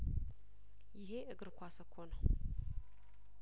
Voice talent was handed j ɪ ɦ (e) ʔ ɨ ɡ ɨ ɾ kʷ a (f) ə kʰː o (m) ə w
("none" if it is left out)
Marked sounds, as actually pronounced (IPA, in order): e, s, n

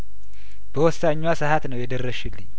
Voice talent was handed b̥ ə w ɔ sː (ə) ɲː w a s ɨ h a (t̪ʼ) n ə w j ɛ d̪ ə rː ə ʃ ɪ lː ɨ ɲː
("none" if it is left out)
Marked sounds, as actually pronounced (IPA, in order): a, t̪

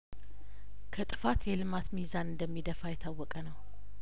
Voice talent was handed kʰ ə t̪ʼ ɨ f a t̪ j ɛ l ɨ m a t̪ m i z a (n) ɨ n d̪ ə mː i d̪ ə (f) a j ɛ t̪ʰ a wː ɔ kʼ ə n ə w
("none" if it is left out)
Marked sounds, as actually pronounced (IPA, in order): n, f

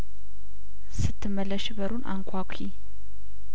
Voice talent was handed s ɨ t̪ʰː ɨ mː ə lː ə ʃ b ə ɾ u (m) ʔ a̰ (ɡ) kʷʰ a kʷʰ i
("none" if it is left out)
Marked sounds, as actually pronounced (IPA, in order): n, ŋ

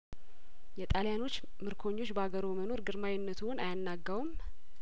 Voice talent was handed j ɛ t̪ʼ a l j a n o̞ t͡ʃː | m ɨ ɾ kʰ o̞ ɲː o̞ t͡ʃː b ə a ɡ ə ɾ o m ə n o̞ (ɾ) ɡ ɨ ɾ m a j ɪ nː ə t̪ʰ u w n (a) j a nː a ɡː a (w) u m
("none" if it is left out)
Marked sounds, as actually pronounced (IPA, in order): ɾ, a, w

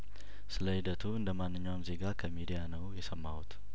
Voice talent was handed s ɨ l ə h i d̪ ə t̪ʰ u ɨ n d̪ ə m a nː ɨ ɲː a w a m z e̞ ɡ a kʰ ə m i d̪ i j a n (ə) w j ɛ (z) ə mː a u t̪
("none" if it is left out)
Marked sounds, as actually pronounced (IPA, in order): ə, s

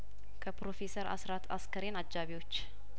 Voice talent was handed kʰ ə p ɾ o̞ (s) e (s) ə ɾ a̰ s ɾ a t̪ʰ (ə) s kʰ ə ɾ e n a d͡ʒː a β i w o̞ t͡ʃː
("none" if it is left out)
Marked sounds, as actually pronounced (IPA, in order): f, s, a

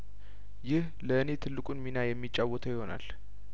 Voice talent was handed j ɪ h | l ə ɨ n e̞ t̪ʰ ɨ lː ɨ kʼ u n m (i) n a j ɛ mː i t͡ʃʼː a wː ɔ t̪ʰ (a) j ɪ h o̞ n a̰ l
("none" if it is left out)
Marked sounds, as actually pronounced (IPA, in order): i, ə

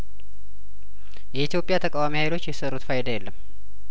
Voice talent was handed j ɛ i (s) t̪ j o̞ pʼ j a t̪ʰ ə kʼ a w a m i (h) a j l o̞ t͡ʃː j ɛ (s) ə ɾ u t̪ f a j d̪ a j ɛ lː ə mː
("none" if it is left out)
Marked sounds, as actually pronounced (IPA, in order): none, h, s

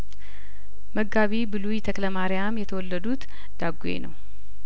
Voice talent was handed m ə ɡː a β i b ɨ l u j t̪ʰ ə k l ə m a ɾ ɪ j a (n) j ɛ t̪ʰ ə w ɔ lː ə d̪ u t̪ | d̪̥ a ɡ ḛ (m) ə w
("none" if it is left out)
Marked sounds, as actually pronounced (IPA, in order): m, n

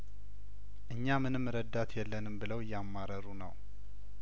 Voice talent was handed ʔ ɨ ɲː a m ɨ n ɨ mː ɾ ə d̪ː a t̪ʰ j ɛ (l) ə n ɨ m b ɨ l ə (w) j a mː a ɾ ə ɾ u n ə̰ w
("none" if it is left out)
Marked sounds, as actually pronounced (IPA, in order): lː, w

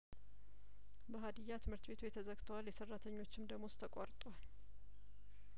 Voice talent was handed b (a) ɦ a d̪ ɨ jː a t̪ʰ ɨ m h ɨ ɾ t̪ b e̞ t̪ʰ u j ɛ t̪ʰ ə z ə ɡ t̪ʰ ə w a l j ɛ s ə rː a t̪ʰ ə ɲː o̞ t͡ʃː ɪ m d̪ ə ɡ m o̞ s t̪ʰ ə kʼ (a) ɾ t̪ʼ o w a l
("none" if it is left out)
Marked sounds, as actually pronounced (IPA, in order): ə, a

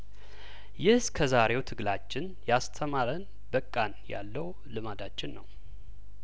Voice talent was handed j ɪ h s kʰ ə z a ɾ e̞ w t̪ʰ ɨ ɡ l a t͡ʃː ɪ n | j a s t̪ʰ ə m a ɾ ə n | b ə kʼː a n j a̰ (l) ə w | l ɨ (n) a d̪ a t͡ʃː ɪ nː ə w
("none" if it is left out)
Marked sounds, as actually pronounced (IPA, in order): lː, m

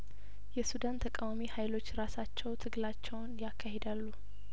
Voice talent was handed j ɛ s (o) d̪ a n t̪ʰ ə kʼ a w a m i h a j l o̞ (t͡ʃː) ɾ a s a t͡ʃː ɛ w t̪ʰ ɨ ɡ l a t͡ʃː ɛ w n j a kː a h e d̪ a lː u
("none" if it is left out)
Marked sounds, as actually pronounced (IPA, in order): u, t͡ʃː

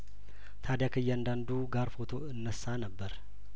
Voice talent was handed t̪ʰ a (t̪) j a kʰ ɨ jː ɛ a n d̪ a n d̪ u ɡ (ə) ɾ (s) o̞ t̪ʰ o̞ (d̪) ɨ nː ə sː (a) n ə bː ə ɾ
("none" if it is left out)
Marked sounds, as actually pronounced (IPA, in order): d̪, a, f, none, a

